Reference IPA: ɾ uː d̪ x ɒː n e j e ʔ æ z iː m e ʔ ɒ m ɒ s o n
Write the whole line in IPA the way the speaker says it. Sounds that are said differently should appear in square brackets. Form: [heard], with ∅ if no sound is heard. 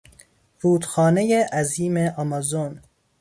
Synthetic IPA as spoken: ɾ uː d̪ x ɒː n e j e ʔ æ z iː m e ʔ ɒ m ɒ [z] o n